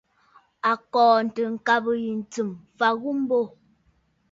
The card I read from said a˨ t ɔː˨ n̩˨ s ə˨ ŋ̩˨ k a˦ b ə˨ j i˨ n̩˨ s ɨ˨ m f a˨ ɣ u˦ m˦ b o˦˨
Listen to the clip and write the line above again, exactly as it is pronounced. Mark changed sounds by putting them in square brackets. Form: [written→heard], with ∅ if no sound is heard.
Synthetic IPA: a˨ [t→k] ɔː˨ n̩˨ [s→t] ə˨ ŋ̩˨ k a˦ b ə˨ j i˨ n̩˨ [s→t͡s] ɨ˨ m f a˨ ɣ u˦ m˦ b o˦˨

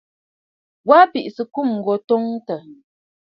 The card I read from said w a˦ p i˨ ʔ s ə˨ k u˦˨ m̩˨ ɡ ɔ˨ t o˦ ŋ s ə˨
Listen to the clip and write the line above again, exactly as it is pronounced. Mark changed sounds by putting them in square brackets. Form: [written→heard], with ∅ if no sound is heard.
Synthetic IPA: w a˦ p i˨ ʔ s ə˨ k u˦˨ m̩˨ ɡ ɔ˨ t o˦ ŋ [s→t] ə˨

